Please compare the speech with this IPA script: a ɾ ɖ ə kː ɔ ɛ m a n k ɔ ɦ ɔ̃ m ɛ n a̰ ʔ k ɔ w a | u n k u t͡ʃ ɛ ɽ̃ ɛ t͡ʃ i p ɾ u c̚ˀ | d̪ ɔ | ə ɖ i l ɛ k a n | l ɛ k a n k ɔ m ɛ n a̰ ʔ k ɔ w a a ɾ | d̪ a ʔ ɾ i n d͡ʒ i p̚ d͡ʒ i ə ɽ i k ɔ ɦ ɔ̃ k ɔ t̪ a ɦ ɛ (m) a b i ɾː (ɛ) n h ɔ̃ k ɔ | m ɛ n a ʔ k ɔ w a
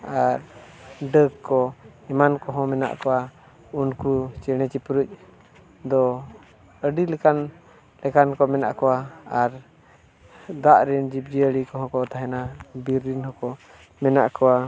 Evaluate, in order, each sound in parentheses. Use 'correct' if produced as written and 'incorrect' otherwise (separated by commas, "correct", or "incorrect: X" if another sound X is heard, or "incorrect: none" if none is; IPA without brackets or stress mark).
incorrect: n, incorrect: i